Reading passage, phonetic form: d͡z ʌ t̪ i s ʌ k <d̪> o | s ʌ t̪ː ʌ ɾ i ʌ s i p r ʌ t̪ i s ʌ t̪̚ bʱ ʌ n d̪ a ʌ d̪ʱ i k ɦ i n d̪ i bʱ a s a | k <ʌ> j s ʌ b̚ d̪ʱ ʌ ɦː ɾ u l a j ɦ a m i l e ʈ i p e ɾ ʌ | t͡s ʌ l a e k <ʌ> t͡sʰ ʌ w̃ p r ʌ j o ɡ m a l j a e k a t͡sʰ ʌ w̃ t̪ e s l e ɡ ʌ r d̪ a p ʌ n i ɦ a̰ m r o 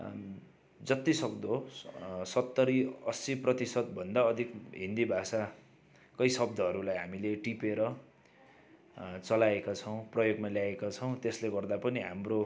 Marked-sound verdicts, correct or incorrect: correct, correct, incorrect: a

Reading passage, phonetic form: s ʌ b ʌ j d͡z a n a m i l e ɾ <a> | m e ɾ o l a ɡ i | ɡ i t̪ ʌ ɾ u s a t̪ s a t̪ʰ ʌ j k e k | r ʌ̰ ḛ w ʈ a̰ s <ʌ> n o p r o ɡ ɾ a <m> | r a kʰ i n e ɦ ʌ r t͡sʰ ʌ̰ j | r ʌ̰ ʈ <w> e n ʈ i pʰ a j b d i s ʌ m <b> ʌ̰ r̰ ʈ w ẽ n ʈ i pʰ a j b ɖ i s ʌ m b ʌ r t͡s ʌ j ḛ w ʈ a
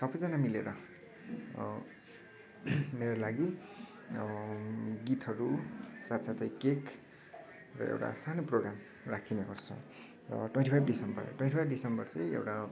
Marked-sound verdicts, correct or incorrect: incorrect: ʌ, incorrect: a, correct, correct, correct

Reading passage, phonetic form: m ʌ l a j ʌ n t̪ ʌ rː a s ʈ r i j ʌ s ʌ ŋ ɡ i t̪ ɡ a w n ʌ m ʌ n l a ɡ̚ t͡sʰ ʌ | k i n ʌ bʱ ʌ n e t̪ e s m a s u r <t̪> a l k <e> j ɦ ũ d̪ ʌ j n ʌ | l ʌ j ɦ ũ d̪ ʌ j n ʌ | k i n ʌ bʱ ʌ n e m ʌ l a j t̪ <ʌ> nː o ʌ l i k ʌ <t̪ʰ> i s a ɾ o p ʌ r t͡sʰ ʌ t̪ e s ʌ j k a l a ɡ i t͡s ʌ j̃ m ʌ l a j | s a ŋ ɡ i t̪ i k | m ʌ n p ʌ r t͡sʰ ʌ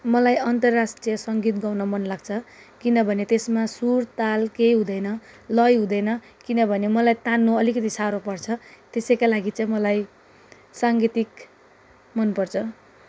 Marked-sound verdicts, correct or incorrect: correct, correct, incorrect: a, incorrect: t̪

